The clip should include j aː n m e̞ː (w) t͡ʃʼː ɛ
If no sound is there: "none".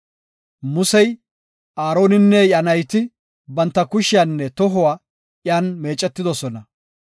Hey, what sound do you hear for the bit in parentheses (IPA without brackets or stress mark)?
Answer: none